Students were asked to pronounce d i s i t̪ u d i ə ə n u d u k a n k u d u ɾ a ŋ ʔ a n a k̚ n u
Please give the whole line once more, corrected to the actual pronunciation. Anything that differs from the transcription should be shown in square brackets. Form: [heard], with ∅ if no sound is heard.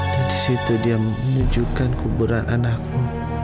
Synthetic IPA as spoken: d i s i t̪ u d i [a] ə n u [d͡ʒ] u k a n k u [b] u ɾ a [n] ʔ a n a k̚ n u